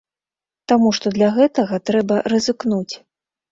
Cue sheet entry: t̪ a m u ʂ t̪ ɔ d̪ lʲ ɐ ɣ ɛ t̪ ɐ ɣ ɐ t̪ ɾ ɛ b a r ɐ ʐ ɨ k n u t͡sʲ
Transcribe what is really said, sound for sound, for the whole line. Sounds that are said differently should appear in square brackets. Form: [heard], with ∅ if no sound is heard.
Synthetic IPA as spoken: t̪ a m u ʂ t̪ ɔ d̪ lʲ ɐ ɣ ɛ t̪ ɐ ɣ ɐ t̪ ɾ ɛ b [ɐ] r ɐ [z] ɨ k n u t͡sʲ